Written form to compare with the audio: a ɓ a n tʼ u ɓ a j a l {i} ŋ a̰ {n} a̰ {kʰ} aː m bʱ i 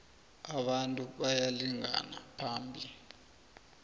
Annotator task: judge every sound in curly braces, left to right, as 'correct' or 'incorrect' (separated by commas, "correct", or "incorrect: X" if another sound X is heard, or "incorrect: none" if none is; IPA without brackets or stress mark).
correct, correct, incorrect: pʰ